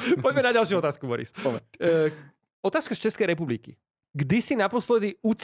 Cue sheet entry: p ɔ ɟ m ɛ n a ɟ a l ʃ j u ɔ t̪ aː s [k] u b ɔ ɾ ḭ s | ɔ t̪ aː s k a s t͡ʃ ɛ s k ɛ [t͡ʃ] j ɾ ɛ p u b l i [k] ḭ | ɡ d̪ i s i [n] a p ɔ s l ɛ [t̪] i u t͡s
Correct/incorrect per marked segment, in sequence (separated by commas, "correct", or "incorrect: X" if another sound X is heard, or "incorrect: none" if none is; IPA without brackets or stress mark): correct, incorrect: none, correct, correct, incorrect: d̪